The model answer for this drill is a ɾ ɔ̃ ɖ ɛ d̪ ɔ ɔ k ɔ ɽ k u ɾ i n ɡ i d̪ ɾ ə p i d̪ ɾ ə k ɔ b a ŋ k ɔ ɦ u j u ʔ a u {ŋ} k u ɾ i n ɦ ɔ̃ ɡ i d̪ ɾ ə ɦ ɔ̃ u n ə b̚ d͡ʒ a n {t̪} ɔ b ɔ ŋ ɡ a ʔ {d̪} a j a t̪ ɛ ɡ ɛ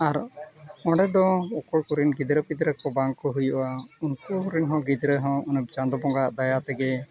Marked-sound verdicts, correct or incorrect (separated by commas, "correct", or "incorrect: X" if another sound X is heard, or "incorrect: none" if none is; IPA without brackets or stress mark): incorrect: n, incorrect: d̪, correct